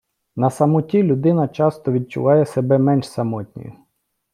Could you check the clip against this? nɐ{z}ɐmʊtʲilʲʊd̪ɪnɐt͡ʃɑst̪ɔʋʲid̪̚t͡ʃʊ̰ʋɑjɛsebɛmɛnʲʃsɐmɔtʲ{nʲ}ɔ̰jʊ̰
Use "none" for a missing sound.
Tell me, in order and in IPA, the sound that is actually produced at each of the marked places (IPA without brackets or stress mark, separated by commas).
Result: s, nʲ